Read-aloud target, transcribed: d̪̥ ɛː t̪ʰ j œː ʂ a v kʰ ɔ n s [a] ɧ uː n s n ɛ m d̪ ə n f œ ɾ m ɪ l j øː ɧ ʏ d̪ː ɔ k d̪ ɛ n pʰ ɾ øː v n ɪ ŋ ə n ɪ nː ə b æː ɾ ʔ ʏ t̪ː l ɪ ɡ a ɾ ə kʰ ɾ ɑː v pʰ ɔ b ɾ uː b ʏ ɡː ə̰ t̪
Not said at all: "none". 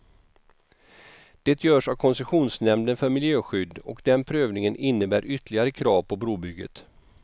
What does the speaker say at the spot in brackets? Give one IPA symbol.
ɛ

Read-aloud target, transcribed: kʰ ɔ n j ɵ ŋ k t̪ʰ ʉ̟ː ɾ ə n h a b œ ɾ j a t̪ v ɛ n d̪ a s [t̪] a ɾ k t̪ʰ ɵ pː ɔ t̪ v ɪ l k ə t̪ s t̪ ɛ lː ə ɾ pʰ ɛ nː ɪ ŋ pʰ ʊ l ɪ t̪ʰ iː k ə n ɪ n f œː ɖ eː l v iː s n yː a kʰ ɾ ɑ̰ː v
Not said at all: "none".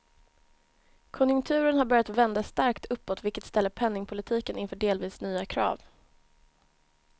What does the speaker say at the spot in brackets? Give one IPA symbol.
t̪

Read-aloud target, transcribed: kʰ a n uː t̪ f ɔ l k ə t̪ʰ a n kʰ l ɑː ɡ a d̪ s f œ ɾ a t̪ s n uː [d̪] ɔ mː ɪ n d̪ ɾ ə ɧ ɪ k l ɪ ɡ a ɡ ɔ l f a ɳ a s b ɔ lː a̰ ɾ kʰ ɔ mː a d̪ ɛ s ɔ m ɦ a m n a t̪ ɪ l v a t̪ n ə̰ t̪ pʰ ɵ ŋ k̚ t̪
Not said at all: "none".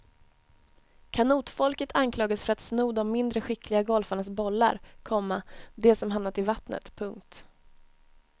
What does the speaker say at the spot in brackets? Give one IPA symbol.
d̪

